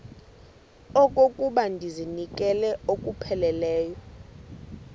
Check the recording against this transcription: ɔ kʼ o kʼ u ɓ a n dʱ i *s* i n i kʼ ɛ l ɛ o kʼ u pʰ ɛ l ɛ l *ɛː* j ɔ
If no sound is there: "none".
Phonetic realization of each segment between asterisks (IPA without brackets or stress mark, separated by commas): z, ɛː